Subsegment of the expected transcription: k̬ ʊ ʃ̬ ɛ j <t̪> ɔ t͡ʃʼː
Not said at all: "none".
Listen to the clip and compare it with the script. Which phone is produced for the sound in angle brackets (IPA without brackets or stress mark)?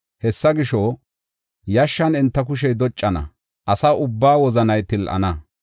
d̪